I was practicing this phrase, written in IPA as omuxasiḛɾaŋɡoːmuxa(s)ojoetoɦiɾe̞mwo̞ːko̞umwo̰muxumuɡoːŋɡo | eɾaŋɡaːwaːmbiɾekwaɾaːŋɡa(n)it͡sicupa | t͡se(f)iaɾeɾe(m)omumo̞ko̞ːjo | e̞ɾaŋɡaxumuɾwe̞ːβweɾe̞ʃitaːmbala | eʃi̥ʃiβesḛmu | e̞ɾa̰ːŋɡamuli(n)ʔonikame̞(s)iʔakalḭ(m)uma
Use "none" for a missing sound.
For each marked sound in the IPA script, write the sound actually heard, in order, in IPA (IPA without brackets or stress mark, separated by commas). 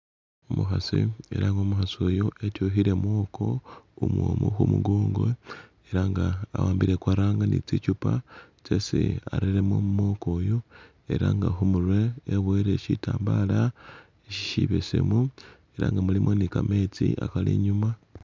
s, n, s, m, m, t͡s, ɲ